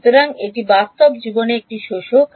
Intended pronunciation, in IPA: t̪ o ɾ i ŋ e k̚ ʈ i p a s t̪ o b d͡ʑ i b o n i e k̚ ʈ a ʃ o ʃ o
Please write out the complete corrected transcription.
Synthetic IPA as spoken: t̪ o ɾ a ŋ e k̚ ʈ i b a s t̪ o b d͡ʑ i b o n e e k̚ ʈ i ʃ o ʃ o